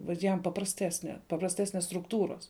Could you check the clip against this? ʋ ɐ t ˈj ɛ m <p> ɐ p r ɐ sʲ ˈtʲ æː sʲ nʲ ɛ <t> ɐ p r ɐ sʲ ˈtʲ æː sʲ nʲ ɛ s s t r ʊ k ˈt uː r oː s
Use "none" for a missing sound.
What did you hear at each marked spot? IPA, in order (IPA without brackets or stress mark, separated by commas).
p, p